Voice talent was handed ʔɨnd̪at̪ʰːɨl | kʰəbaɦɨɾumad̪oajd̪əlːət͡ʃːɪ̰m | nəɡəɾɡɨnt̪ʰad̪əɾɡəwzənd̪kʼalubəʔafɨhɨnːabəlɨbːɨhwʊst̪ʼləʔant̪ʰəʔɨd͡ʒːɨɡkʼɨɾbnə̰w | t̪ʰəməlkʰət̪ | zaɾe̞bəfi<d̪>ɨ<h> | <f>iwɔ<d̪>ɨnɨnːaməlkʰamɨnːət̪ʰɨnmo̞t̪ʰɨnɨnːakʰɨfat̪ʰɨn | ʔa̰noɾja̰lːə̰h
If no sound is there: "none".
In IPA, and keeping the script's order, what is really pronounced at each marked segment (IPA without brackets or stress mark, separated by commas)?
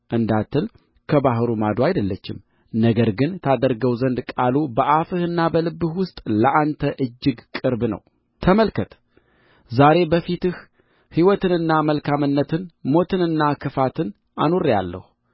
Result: t̪, h, h, t̪